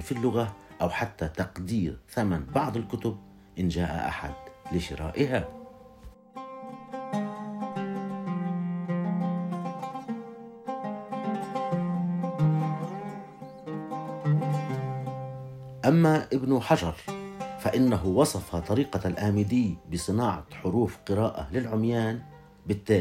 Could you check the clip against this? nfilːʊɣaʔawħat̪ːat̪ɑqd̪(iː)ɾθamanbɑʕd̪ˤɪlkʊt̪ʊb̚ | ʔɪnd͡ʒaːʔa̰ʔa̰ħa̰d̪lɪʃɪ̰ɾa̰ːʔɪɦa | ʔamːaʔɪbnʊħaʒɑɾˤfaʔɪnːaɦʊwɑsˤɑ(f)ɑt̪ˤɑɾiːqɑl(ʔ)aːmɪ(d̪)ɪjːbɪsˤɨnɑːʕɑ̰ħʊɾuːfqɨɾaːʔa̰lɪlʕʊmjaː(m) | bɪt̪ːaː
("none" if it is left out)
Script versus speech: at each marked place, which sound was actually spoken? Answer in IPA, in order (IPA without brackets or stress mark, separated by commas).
iː, f, ʔ, d̪, n